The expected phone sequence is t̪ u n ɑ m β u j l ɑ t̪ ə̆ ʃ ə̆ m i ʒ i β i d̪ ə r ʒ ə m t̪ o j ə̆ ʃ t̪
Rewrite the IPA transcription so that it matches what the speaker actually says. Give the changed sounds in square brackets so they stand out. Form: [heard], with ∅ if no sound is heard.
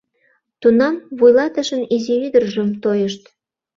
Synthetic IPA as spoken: t̪ u n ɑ m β u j l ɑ t̪ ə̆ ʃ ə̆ [n] i [z] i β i d̪ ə r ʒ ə m t̪ o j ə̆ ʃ t̪